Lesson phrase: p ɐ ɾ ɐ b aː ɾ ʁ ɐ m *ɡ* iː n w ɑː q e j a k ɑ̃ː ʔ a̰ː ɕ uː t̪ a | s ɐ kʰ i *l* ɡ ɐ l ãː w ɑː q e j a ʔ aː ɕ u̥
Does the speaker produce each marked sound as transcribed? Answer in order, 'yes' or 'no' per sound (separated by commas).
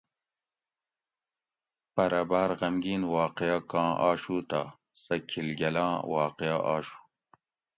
yes, yes